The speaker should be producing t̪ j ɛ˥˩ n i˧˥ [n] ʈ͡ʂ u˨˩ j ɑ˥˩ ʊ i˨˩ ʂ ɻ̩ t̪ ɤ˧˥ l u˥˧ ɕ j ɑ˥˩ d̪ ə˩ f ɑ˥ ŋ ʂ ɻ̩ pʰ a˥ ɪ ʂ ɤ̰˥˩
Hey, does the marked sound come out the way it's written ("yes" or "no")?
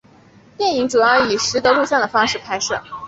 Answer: no